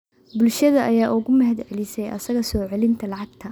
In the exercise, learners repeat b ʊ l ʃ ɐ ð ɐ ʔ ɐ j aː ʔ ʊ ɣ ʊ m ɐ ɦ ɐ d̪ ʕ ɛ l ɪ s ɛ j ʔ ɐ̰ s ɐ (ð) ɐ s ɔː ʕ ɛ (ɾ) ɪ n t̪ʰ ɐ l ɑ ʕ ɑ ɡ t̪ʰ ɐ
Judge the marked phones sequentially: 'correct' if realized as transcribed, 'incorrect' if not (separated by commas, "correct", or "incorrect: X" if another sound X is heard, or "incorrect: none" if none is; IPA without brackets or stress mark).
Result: incorrect: ɣ, incorrect: l